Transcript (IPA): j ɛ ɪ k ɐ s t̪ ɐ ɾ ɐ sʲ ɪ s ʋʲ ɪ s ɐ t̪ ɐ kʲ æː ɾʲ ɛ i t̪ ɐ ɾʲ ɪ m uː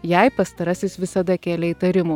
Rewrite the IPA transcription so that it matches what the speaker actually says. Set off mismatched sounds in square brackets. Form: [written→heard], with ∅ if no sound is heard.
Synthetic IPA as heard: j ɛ ɪ [k→p] ɐ s t̪ ɐ ɾ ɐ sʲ ɪ s ʋʲ ɪ s ɐ [t̪→d̪] ɐ kʲ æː [ɾʲ→lʲ] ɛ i t̪ ɐ ɾʲ ɪ m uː